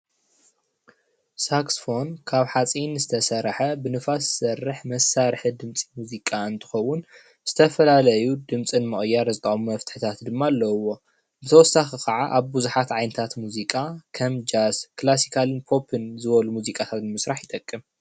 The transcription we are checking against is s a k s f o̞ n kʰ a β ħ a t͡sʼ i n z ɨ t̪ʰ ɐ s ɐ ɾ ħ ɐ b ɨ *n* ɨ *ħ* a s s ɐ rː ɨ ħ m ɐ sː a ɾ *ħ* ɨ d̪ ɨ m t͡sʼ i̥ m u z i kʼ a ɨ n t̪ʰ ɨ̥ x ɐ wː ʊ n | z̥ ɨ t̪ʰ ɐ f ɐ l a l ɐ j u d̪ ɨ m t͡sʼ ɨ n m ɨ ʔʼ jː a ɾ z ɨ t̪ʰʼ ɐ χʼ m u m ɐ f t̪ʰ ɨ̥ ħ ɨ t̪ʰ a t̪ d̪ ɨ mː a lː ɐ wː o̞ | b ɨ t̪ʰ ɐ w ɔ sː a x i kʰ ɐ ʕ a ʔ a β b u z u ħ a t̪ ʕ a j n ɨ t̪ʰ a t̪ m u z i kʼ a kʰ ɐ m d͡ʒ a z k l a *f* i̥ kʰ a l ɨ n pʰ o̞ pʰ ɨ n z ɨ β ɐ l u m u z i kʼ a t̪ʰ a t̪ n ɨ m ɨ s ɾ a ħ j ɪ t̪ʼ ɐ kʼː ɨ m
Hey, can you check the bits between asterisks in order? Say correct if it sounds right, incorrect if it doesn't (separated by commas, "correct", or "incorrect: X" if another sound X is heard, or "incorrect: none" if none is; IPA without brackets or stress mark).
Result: correct, incorrect: f, correct, incorrect: s